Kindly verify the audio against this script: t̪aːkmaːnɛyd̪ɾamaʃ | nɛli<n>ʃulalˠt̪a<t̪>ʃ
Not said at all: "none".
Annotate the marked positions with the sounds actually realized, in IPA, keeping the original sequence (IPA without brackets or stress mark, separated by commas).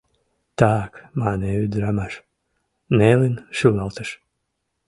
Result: n, none